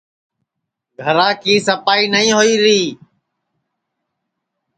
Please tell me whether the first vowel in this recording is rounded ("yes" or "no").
no